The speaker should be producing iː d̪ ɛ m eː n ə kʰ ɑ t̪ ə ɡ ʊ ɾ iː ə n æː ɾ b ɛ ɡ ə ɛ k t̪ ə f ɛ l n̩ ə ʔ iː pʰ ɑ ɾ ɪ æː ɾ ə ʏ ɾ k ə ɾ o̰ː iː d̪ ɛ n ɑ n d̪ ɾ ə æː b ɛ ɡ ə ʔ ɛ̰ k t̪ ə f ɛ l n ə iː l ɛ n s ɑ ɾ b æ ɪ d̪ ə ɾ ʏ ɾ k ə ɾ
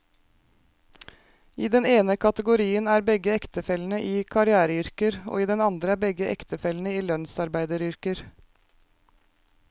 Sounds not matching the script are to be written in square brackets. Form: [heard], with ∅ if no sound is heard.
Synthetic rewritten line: iː d̪ ɛ [n] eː n ə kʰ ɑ t̪ ə ɡ ʊ ɾ iː ə n æː ɾ b ɛ ɡ ə ɛ k t̪ ə f ɛ l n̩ ə ʔ iː [kʰ] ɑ ɾ ɪ æː ɾ ə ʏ ɾ k ə ɾ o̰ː iː d̪ ɛ n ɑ n d̪ ɾ ə æː b ɛ ɡ ə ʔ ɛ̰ k t̪ ə f ɛ l n ə iː l [œ] n s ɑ ɾ b æ ɪ d̪ ə ɾ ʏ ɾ k ə ɾ